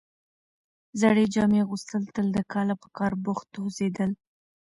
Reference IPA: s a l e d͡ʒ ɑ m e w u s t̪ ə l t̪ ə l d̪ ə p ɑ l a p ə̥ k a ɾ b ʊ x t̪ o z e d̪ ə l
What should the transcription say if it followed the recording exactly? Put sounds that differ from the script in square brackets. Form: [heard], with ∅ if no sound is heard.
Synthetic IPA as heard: [z] a [ɽ] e d͡ʒ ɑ m e [ɣ] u s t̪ ə l t̪ ə l d̪ ə [k] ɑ l a p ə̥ k [ɑ] ɾ b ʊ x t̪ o z e d̪ ə l